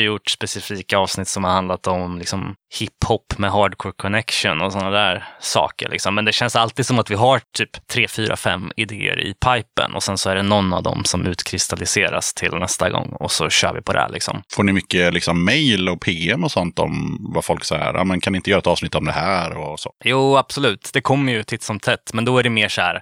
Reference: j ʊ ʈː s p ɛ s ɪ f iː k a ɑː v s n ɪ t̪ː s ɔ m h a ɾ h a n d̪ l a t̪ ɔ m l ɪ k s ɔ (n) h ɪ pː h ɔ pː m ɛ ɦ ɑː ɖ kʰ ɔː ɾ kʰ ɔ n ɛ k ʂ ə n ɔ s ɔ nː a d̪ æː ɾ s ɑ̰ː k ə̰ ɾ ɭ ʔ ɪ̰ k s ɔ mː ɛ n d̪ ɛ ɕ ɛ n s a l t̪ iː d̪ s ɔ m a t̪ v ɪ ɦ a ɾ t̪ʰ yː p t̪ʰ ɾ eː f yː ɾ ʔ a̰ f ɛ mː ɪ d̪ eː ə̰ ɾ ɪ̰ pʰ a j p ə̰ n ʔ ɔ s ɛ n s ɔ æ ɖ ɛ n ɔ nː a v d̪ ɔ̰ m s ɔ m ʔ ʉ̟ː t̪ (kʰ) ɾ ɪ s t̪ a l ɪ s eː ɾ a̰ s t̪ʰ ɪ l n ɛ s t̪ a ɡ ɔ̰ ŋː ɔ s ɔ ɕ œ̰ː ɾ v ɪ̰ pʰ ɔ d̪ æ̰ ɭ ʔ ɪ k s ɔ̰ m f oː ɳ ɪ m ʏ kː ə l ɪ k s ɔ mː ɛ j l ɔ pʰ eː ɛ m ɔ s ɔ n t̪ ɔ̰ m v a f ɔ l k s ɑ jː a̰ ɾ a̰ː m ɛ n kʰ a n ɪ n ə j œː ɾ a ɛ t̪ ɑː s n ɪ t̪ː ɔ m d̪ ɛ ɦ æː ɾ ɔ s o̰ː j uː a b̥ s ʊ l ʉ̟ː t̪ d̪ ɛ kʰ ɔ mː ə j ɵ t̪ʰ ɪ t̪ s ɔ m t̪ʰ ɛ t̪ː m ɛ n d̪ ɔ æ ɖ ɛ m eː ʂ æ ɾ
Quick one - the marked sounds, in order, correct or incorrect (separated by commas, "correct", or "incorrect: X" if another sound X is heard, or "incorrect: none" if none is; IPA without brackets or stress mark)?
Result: incorrect: m, correct